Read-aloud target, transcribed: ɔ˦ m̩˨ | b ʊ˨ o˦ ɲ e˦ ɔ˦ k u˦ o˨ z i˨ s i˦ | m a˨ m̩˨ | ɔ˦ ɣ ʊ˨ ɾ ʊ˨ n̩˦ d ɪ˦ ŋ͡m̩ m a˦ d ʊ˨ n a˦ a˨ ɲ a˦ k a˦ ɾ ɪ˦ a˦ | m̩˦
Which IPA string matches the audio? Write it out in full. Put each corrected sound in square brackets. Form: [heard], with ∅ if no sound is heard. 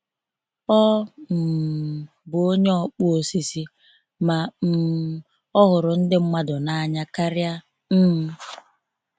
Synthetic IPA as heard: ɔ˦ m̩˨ | b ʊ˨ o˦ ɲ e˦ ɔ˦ [k͡p] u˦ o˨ [s] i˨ s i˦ | m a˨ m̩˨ | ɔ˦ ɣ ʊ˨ ɾ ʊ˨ n̩˦ d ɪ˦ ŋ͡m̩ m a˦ d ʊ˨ n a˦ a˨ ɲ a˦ k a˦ ɾ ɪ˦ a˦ | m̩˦